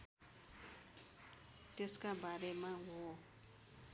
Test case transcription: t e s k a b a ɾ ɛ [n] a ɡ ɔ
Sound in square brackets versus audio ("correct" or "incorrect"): incorrect